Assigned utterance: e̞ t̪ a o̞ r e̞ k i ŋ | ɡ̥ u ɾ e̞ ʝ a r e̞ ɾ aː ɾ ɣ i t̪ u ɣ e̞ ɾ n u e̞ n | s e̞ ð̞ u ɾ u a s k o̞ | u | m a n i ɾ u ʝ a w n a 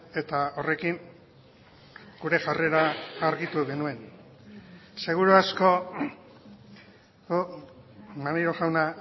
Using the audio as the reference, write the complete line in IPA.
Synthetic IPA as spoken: e̞ t̪ a o̞ r e̞ k i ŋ | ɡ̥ u ɾ e̞ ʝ a r e̞ ɾ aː ɾ ɣ i t̪ u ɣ e̞ n u e̞ n | s e̞ ɣ̞ u ɾ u a s k o̞ | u | m a n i ɾ o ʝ a w n a